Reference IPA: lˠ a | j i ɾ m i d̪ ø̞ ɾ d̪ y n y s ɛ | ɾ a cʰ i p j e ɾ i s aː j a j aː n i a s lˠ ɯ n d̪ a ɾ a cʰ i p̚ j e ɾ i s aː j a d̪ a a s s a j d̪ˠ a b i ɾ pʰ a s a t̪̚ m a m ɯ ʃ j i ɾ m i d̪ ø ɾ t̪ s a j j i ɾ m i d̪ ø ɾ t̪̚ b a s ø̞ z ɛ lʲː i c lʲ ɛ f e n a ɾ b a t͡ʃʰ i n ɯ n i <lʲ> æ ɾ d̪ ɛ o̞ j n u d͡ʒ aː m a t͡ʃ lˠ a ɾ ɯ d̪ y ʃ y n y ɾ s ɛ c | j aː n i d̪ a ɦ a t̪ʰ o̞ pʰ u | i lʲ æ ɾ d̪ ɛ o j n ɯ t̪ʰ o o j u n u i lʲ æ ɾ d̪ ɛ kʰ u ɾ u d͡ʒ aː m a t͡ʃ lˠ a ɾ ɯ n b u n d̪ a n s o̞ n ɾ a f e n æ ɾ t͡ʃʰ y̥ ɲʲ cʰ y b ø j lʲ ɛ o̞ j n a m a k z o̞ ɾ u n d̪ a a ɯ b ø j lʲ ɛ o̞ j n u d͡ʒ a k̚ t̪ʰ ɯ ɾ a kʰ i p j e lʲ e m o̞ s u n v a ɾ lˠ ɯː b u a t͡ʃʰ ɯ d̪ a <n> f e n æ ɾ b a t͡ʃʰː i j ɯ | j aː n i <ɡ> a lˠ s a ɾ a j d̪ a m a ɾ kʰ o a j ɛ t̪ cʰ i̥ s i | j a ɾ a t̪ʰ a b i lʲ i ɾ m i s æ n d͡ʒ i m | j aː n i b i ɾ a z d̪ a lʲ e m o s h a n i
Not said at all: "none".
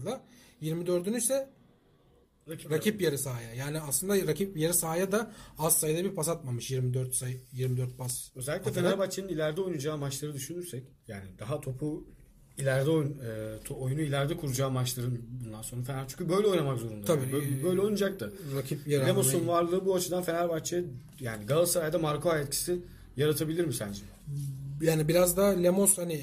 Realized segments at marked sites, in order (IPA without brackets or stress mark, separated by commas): lʲ, n, ɡ